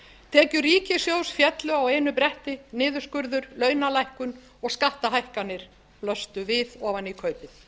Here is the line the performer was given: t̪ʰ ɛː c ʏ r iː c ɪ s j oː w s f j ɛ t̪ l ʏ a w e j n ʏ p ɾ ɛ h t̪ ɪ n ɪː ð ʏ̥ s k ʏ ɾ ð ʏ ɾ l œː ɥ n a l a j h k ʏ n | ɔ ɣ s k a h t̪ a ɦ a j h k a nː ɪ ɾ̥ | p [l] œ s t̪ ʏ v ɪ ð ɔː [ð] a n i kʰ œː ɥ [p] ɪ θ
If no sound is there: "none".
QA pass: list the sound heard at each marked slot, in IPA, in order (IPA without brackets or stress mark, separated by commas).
l, v, p